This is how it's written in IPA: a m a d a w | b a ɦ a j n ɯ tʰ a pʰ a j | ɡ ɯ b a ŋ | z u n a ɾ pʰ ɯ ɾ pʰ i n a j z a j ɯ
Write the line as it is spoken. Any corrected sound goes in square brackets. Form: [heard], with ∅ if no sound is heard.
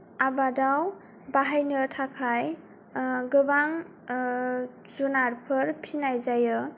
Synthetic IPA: a [b] a d a w | b a ɦ a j n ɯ tʰ a [kʰ] a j | ɡ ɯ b a ŋ | z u n a ɾ pʰ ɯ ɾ pʰ i n a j z a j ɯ